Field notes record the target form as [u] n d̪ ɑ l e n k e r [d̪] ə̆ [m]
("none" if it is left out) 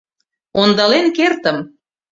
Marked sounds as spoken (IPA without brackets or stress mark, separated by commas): o, t̪, m